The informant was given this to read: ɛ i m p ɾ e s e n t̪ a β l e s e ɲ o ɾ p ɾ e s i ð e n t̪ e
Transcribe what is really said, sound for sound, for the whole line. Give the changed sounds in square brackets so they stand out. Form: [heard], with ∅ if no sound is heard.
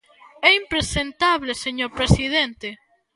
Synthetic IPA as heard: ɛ i m p ɾ e s e n t̪ a β l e s e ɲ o ɾ p ɾ e s i ð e n t̪ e